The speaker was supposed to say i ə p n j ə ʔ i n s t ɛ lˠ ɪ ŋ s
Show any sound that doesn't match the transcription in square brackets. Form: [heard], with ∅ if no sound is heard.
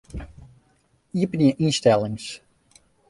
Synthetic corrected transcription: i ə p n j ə ʔ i n s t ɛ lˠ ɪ ŋ s